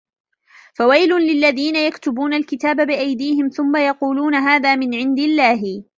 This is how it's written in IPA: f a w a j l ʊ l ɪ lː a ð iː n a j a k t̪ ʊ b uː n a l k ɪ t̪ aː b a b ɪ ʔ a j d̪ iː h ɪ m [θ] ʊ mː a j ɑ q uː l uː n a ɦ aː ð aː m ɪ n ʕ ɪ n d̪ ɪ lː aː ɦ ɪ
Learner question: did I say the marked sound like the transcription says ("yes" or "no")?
yes